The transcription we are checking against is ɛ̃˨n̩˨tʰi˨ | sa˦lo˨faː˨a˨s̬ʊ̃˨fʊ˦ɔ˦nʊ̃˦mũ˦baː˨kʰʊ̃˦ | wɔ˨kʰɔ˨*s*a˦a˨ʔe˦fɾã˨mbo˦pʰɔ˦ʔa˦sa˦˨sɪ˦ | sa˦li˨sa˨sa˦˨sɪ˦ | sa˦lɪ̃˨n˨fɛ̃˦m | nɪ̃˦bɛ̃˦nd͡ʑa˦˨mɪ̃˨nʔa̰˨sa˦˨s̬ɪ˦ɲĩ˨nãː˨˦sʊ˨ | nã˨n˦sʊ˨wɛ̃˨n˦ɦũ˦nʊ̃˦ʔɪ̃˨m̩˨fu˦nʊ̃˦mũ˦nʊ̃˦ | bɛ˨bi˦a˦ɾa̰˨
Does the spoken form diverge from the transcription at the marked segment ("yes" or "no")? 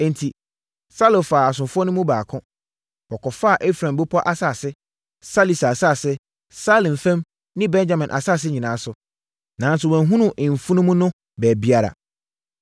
yes